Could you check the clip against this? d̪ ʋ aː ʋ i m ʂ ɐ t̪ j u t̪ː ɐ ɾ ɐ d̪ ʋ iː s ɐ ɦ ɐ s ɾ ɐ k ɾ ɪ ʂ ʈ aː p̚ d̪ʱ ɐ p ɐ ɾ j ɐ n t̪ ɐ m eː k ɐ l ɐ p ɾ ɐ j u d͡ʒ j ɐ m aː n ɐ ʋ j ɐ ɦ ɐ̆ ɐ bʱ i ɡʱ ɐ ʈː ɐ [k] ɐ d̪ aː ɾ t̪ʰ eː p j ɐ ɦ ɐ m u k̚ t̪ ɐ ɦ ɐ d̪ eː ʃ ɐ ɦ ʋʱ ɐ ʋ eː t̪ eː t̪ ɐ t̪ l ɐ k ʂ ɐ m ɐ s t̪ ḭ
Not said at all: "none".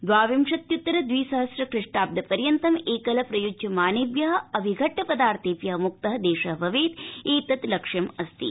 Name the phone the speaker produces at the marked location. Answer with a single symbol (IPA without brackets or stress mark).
p